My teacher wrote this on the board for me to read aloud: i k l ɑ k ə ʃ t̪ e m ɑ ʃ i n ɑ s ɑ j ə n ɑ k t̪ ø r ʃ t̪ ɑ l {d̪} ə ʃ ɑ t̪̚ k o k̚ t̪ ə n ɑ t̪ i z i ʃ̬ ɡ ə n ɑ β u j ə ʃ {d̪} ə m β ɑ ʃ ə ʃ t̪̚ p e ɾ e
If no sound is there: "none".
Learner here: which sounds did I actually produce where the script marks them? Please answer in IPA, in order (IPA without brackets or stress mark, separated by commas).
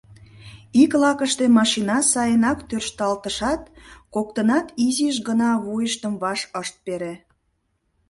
t̪, t̪